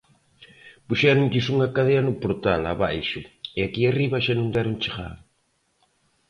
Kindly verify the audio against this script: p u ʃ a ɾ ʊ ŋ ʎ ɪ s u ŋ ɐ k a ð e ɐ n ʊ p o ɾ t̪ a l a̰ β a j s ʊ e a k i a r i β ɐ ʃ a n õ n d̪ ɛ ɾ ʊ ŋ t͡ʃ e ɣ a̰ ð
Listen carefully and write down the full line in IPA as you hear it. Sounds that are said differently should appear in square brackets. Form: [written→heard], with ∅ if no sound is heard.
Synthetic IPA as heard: p u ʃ [a→ɛ] ɾ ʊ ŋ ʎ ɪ s u ŋ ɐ k a ð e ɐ n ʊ p o ɾ t̪ a l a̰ β a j [s→ʃ] ʊ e a k i a r i β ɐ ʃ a n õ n d̪ ɛ ɾ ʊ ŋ t͡ʃ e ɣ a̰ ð